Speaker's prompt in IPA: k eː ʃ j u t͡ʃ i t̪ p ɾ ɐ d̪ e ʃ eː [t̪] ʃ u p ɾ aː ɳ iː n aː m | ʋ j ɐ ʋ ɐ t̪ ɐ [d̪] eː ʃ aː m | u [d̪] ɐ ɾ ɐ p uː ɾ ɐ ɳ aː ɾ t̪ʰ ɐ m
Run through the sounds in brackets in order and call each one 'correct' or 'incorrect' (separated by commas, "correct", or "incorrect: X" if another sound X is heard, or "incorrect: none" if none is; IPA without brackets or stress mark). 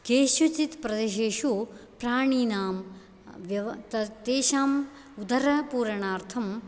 incorrect: none, incorrect: t̪, correct